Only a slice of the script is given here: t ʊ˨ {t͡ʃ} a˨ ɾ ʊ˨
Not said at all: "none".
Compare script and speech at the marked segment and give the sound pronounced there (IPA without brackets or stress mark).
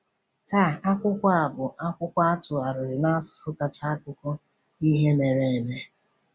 none